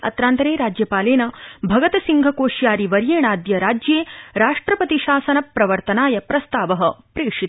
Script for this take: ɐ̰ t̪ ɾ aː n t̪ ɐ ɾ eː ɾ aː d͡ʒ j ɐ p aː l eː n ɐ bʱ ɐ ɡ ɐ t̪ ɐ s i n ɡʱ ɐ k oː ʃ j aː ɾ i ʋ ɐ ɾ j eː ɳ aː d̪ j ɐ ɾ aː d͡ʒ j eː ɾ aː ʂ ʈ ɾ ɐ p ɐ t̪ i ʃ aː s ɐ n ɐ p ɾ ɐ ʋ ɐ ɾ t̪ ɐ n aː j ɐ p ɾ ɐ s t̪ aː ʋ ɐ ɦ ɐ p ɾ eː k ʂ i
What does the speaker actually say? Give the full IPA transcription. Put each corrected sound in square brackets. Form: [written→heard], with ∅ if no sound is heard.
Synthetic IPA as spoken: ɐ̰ t̪ ɾ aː n t̪ ɐ ɾ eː ɾ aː d͡ʒ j ɐ p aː l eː n ɐ bʱ ɐ ɡ ɐ t̪ ɐ s i [n→ŋ] ɡʱ ɐ k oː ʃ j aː ɾ i ʋ ɐ ɾ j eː ɳ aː d̪ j ɐ ɾ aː d͡ʒ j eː ɾ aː ʂ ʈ ɾ ɐ p ɐ t̪ i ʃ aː s ɐ n ɐ p ɾ ɐ ʋ ɐ ɾ t̪ ɐ n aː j ɐ p ɾ ɐ s t̪ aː ʋ ɐ ɦ ɐ p ɾ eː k ʂ i